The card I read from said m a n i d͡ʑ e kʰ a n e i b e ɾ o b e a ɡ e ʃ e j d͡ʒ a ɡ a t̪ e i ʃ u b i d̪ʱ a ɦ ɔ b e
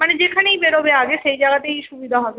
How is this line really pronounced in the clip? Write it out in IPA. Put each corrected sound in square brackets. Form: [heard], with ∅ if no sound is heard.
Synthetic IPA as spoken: m a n [e] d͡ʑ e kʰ a n e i b e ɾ o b e a ɡ e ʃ e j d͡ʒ a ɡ a t̪ e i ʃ u b i d̪ʱ a ɦ ɔ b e